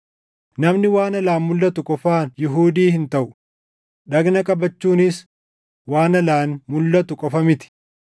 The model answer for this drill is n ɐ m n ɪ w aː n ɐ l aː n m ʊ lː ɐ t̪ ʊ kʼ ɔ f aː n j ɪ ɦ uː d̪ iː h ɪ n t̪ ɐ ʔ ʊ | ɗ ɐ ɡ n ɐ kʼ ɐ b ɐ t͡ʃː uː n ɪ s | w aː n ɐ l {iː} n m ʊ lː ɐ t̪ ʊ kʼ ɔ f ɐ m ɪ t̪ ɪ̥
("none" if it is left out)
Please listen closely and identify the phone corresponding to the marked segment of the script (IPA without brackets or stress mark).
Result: aː